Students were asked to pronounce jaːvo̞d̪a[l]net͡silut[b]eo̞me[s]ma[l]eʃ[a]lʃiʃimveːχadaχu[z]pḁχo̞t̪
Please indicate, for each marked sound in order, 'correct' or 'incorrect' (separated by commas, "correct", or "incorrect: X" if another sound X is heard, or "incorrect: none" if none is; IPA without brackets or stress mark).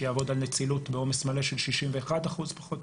correct, correct, correct, correct, incorrect: e, correct